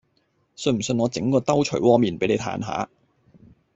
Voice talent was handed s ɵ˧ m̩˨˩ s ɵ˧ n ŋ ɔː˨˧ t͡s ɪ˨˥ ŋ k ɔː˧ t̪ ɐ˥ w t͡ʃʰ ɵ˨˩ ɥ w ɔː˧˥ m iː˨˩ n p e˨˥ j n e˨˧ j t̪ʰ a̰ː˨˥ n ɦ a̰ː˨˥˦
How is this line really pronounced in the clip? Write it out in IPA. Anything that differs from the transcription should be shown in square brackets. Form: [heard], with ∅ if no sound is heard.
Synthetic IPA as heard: s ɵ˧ m̩˨˩ s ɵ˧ n ŋ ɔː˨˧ t͡s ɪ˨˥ ŋ k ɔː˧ t̪ ɐ˥ w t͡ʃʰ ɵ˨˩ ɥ w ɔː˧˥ m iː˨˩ n p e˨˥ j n e˨˧ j t̪ʰ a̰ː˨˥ n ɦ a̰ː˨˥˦